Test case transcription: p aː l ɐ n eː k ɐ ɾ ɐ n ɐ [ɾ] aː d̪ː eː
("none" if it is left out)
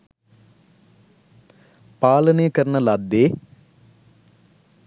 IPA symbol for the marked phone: l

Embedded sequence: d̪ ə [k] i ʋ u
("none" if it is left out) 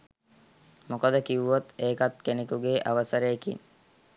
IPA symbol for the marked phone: k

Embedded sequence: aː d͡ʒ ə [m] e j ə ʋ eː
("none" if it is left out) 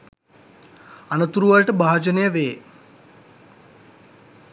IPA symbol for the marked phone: n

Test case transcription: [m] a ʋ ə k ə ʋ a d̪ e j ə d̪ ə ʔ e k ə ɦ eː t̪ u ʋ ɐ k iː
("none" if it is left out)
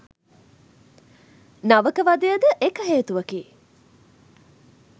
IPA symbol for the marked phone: n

